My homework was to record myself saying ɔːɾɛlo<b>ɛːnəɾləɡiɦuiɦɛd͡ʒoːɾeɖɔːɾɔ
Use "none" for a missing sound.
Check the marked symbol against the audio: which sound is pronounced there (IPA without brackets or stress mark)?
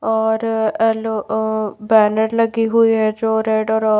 b